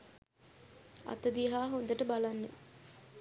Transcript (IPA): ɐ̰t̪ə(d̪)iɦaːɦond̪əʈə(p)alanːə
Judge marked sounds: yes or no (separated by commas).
yes, no